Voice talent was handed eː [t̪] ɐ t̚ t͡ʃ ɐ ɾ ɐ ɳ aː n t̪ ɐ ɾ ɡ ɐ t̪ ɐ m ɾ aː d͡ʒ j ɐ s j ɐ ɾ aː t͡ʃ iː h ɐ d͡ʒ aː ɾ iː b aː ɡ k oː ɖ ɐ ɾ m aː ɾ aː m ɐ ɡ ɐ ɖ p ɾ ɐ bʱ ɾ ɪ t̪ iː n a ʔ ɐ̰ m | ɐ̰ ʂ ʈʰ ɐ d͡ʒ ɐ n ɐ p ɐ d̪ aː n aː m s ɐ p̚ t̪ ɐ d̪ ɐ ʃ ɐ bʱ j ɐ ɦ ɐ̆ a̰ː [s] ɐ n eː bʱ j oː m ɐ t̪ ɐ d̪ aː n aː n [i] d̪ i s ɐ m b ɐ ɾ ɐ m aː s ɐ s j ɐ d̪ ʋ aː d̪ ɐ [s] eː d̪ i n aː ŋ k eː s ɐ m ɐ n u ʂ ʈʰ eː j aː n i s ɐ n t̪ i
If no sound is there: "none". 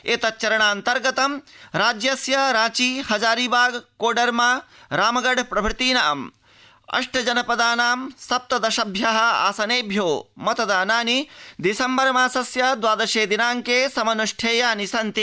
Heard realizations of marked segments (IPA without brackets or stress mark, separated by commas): t̪, s, i, ʃ